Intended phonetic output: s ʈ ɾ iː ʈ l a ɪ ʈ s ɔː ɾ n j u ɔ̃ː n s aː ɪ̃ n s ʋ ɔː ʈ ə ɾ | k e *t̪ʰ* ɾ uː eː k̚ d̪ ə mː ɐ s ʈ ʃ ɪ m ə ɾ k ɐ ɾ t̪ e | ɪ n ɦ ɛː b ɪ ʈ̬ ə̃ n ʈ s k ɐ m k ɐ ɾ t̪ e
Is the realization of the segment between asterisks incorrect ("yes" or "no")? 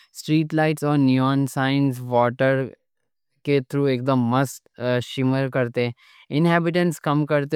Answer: no